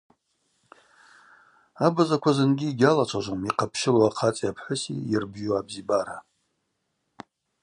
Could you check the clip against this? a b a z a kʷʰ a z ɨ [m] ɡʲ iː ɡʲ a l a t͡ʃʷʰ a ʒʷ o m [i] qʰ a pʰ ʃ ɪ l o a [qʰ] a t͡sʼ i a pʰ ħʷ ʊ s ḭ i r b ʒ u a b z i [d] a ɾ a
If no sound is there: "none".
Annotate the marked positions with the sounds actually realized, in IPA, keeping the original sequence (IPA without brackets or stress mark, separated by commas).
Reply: n, i, qʰ, b